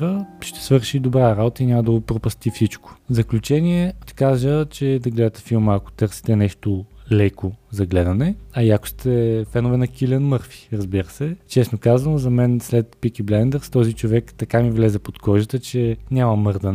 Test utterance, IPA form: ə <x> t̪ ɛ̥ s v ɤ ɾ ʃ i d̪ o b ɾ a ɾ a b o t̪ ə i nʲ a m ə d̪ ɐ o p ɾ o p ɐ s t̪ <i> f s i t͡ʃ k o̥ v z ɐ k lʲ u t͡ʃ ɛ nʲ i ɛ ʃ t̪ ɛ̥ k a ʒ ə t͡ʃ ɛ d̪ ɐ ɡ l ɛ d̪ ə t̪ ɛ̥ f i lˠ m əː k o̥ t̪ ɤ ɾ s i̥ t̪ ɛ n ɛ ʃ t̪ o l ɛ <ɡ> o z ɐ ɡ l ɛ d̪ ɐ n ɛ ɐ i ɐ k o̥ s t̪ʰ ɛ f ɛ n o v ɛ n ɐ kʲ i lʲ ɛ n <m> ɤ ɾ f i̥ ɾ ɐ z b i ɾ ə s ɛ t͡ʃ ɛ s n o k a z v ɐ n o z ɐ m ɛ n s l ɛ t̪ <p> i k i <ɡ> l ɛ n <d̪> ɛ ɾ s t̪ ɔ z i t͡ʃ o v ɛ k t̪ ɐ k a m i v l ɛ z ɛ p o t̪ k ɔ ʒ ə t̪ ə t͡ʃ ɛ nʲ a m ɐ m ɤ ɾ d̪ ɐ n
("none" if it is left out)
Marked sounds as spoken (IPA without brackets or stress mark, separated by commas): ʃ, i, k, m, p, b, d̪